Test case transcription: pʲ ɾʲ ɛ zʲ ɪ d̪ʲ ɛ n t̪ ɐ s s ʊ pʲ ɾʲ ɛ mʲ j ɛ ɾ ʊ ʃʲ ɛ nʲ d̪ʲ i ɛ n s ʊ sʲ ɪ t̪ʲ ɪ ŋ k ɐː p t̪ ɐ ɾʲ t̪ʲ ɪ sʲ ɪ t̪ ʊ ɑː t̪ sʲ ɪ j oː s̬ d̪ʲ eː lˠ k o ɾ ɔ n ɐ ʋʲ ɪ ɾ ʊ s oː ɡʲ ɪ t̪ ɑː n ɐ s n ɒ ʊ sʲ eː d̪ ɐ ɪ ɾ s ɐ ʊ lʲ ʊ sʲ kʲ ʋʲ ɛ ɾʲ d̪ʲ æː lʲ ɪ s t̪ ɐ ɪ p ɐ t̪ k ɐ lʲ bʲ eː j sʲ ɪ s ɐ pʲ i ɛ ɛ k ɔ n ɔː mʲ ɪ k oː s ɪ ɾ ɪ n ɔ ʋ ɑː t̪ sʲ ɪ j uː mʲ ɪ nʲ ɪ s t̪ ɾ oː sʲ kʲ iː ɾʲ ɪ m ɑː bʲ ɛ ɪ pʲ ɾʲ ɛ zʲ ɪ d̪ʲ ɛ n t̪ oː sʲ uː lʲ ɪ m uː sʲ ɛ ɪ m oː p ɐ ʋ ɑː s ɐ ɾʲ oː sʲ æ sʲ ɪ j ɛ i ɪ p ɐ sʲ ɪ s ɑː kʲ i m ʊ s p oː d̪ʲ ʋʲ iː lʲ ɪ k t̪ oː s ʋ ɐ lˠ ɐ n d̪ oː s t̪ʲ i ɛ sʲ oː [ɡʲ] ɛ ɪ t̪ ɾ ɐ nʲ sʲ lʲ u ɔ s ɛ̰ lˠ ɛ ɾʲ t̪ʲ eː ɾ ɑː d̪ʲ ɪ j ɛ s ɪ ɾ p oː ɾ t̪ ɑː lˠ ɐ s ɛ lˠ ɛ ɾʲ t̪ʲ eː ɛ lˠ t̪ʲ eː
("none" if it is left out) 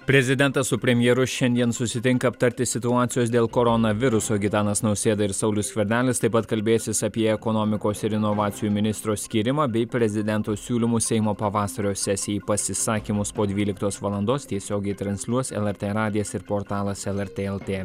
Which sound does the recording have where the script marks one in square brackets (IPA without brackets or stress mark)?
ɡʲ